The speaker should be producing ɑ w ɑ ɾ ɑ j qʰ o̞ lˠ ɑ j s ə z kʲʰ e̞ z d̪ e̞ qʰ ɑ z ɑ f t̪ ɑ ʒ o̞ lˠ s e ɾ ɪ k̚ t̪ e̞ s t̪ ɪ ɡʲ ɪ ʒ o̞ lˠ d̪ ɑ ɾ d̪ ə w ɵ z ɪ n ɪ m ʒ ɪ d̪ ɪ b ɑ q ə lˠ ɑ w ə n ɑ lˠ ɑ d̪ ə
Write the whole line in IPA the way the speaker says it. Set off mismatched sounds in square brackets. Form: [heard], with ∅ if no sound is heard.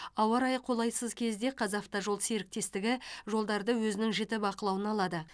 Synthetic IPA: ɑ w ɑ ɾ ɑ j qʰ o̞ lˠ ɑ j s ə z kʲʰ e̞ z d̪ e̞ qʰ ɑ z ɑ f t̪ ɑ ʒ o̞ lˠ s e ɾ ɪ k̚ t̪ e̞ s t̪ ɪ ɡʲ ɪ ʒ o̞ lˠ d̪ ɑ ɾ d̪ ə w ɵ z ɪ n ɪ [ŋ] ʒ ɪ [t̪] ɪ b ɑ q ə lˠ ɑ w ə n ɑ lˠ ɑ d̪ ə